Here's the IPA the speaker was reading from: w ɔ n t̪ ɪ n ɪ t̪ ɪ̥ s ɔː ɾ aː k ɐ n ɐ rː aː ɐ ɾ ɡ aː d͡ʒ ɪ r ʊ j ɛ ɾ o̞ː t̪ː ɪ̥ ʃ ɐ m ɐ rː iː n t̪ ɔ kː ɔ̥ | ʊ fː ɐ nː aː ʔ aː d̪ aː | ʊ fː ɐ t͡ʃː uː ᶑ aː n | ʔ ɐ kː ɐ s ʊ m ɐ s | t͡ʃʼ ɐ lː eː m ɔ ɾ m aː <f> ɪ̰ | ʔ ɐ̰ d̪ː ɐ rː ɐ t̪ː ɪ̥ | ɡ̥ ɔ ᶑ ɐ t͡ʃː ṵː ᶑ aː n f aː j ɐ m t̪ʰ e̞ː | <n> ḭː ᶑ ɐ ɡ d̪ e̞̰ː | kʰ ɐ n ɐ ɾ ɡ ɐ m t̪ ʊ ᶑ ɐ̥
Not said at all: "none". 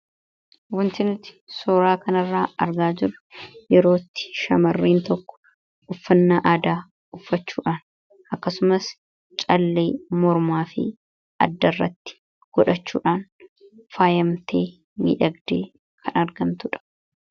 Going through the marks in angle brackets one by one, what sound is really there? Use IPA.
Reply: f, m

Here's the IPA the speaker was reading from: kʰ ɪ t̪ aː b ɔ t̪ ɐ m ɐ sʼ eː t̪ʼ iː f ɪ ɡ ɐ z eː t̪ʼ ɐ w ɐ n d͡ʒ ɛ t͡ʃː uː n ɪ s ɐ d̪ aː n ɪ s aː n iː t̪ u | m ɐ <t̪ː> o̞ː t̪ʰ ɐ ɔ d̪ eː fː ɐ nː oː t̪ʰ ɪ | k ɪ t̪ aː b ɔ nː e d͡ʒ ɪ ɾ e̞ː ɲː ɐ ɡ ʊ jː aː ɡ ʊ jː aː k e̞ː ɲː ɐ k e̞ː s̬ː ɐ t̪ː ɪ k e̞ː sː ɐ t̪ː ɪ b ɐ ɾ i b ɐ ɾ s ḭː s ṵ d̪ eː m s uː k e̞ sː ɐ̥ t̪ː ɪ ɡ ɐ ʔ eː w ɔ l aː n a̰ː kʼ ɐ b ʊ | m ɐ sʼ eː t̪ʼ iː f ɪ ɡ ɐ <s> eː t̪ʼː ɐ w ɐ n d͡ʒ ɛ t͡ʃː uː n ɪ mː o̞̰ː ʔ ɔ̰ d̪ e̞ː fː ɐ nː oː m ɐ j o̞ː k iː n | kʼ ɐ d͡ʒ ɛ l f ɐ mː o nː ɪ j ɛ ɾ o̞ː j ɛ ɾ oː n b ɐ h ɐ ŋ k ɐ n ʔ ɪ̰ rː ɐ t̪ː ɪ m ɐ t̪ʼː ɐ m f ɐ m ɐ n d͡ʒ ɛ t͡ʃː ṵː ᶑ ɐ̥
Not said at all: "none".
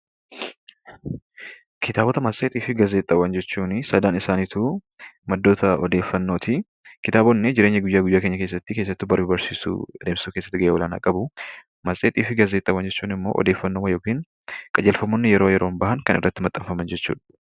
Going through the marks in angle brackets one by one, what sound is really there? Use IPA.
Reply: d̪ː, z

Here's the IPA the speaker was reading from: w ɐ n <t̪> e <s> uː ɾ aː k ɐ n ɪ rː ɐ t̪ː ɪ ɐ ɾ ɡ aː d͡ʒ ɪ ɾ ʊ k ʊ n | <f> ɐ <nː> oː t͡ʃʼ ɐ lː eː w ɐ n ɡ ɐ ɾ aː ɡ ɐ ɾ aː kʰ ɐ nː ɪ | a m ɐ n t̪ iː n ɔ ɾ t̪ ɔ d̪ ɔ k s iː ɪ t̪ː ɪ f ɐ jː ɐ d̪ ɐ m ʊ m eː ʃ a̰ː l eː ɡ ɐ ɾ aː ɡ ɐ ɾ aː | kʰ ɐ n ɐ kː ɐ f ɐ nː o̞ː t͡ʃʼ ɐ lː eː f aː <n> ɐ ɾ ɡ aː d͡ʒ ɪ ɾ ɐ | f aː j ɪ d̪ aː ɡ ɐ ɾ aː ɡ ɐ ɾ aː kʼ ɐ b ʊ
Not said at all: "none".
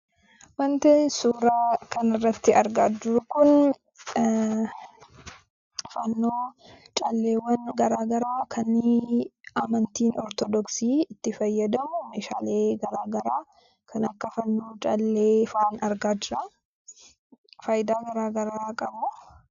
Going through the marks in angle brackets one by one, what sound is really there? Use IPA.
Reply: t̪, s, f, nː, n

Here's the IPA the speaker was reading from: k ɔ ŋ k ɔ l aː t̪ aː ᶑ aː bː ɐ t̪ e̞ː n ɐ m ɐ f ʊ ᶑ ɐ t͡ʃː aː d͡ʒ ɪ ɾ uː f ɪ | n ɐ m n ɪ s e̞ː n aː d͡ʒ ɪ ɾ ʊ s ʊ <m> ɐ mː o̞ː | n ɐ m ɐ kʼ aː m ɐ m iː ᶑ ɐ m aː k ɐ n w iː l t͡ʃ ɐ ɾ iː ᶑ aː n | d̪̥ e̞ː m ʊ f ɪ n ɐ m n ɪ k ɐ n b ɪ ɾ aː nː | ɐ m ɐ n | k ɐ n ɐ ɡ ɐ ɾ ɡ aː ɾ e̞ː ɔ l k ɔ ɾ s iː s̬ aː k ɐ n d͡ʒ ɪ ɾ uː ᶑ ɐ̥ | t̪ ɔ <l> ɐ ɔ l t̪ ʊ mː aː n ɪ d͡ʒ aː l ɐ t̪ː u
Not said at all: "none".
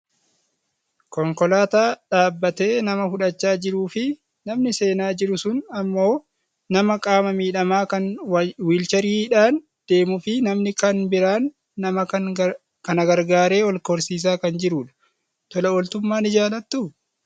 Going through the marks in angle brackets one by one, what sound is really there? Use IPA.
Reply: n, l

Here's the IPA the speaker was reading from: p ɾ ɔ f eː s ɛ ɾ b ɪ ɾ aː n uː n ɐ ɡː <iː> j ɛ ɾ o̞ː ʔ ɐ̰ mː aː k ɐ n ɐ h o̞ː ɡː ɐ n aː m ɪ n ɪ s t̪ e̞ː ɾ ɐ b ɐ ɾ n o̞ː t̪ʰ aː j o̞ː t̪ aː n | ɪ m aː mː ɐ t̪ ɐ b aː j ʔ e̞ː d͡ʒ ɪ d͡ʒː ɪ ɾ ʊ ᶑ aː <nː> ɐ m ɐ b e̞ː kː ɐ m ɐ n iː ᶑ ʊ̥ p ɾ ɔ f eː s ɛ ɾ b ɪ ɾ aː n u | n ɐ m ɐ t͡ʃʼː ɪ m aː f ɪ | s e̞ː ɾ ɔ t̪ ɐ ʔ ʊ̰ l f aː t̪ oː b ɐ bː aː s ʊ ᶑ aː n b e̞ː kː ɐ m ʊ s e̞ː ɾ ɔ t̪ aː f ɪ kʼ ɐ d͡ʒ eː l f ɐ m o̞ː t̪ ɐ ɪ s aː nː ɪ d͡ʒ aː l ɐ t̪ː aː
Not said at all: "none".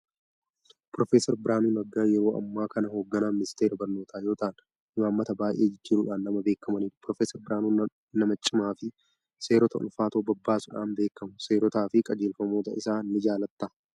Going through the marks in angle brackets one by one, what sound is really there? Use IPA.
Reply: aː, nː

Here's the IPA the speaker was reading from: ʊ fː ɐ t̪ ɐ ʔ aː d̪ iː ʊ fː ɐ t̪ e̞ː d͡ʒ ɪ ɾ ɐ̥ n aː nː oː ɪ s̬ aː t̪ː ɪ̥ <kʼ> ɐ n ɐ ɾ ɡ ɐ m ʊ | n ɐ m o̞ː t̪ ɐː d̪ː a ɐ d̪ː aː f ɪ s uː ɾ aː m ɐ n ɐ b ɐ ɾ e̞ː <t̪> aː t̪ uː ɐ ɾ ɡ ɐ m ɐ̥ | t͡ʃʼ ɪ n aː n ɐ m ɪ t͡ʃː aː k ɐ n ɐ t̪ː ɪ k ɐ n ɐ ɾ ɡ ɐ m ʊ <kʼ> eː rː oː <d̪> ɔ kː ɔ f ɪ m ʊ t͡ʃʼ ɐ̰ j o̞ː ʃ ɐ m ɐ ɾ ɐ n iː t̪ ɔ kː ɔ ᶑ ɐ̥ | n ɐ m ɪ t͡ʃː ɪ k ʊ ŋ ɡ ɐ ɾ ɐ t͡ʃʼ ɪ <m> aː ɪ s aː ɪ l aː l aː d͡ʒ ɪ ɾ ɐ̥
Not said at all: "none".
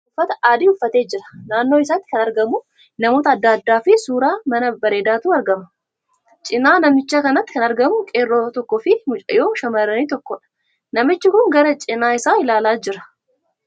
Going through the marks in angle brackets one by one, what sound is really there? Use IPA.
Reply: k, d̪, kʼ, t̪, n

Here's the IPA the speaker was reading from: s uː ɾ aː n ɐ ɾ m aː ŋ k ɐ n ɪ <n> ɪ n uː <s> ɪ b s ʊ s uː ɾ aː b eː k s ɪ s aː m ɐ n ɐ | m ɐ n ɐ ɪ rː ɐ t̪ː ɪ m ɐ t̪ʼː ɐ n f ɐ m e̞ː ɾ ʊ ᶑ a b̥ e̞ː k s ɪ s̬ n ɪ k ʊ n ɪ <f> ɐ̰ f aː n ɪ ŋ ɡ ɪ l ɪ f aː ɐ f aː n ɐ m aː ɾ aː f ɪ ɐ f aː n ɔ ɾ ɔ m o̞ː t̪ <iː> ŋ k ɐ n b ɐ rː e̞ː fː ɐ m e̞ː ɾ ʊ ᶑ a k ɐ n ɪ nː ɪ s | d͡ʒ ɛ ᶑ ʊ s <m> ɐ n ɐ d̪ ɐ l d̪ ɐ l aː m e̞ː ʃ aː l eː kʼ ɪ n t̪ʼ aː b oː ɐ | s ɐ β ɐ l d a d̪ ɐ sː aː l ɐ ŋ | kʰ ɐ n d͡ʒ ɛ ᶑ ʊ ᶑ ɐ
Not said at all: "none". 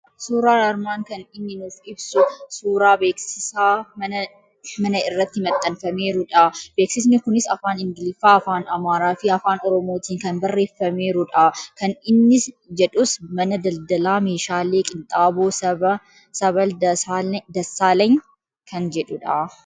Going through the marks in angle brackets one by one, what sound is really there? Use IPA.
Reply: nː, f, s, iː, m

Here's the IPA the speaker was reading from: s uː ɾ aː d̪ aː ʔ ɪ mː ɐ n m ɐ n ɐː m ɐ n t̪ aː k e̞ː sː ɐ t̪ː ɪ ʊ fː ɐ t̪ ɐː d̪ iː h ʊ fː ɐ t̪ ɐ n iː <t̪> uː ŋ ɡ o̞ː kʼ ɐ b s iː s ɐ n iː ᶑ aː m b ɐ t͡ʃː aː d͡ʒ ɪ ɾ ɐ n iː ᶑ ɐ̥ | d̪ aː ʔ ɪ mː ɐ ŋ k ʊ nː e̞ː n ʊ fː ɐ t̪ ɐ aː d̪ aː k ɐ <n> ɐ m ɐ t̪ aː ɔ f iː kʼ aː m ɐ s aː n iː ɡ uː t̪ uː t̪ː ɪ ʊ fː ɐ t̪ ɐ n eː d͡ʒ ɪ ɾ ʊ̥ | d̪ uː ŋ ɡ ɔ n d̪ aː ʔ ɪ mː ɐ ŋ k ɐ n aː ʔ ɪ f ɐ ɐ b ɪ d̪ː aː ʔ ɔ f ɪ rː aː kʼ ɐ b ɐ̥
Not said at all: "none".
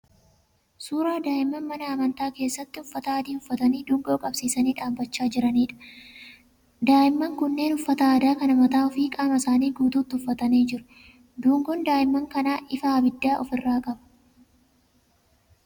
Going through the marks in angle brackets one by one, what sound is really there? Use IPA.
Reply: d̪, n

